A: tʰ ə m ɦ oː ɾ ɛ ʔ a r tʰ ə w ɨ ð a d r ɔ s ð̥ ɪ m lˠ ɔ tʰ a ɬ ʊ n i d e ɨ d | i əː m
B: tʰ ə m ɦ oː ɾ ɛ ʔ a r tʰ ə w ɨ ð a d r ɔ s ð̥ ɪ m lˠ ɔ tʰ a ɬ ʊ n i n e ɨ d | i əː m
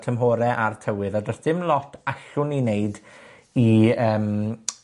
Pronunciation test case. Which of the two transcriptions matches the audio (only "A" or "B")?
B